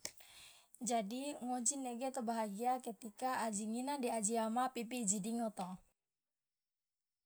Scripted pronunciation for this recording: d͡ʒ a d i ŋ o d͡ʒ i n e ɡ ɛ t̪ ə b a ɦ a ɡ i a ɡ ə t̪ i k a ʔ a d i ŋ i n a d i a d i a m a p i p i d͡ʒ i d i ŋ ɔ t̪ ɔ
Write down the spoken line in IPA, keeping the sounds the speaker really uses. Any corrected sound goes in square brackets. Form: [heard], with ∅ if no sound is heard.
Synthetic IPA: d͡ʒ a d i ŋ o d͡ʒ i n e ɡ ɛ t̪ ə b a ɦ a ɡ i a [k] ə t̪ i k a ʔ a [d͡ʒ] i ŋ i n a d i a [d͡ʒ] i a m a p i p i d͡ʒ i d i ŋ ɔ t̪ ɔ